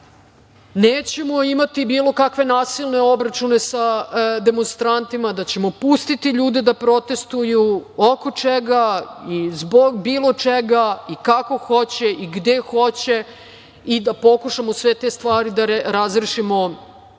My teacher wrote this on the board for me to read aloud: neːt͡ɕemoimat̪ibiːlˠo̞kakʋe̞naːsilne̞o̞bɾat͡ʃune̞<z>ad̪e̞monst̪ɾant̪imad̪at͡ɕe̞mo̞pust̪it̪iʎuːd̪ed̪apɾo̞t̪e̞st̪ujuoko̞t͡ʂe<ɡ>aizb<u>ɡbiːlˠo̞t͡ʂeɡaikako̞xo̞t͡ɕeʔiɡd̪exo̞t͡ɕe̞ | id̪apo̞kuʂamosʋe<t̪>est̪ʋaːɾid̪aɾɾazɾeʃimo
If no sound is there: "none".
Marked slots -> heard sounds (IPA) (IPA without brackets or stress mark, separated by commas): s, ɡ, o, t̪